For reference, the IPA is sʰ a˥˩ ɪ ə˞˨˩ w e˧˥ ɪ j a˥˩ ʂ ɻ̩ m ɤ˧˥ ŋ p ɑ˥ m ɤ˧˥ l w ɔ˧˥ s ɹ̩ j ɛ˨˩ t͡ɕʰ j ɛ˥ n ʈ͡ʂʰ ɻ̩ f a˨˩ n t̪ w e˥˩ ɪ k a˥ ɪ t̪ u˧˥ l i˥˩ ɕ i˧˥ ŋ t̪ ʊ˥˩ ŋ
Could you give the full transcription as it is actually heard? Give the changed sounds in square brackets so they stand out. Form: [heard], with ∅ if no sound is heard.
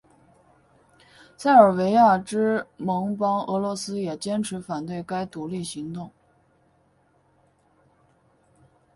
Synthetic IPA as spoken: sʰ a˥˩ ɪ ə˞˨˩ w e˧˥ ɪ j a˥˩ [ʈ͡ʂ] ɻ̩ m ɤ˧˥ ŋ p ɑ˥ [ŋ] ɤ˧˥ l w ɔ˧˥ s ɹ̩ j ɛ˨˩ [t͡ɕ] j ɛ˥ n ʈ͡ʂʰ ɻ̩ f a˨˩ n t̪ w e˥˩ ɪ k a˥ ɪ t̪ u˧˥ l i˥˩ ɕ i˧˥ ŋ t̪ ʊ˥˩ ŋ